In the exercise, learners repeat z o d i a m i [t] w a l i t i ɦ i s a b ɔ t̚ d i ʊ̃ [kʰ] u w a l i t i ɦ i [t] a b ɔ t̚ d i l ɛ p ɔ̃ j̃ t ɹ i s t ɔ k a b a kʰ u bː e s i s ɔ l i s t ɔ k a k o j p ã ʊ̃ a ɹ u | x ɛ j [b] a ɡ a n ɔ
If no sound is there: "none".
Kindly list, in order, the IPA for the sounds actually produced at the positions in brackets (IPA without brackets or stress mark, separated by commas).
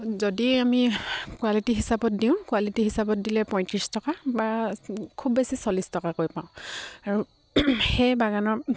k, k, s, b